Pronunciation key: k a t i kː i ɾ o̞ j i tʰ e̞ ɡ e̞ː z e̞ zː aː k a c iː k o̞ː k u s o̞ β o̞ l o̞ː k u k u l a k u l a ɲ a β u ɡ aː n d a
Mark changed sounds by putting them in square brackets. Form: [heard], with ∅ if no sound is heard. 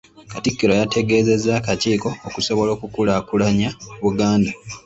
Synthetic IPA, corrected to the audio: k a t i kː i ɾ o̞ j [a] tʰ e̞ ɡ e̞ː z e̞ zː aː k a c iː k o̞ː k u s o̞ β o̞ l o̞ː k u k u l a k u l a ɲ a β u ɡ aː n d a